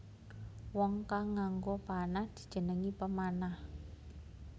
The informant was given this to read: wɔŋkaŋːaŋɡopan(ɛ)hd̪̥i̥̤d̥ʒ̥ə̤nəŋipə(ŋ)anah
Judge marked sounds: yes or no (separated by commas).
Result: no, no